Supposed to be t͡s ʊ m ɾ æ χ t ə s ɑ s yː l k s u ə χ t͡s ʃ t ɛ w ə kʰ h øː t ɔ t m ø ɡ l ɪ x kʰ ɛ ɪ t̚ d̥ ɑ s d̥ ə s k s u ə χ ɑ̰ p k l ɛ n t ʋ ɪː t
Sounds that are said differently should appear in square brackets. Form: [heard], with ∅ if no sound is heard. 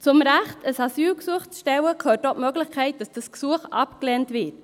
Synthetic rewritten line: t͡s ʊ m ɾ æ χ t ə s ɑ s yː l k s u ə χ t͡s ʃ t ɛ w ə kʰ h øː t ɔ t m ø ɡ l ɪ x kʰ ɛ ɪ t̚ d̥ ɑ s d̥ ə s k s u ə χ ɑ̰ p k l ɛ n t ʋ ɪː t